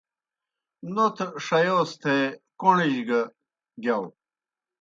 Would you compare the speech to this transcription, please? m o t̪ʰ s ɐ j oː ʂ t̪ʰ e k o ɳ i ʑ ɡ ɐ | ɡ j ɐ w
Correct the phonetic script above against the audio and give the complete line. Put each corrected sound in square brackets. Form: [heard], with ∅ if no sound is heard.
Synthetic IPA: [n] o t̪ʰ [ʂ] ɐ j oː [s] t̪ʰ e k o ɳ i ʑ ɡ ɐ | ɡ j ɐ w